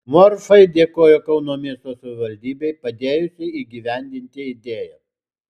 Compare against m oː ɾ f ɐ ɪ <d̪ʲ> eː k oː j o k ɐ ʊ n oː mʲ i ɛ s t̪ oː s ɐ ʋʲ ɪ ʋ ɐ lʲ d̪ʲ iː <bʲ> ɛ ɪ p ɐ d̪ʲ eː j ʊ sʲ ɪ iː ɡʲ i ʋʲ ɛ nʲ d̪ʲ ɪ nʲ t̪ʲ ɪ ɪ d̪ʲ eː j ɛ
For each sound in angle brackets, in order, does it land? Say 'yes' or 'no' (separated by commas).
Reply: yes, yes